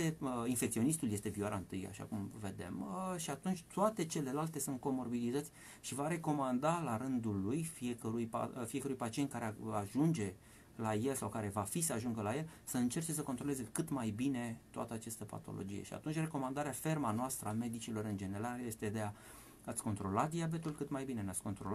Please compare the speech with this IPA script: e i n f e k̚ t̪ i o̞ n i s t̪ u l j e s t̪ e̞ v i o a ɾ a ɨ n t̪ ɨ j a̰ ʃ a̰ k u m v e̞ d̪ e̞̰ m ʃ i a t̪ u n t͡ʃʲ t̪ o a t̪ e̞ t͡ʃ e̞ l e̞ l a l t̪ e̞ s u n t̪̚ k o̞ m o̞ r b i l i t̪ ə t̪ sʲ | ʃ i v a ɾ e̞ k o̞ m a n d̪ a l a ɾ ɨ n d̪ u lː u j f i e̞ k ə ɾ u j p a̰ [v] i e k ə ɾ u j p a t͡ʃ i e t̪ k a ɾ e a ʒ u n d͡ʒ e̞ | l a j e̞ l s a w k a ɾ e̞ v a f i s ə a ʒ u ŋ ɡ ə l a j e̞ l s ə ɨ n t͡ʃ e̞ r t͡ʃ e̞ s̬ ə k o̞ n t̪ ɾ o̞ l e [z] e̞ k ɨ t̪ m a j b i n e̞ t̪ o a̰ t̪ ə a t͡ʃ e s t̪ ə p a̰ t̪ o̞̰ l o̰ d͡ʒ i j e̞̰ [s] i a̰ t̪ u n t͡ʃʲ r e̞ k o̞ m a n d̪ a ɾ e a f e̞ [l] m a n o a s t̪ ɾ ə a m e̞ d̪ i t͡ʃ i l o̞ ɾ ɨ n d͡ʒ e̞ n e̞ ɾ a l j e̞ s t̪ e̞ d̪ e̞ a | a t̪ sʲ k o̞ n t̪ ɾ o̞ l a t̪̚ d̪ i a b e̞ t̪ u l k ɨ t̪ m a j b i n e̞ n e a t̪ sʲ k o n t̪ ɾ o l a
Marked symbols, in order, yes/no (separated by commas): no, yes, no, no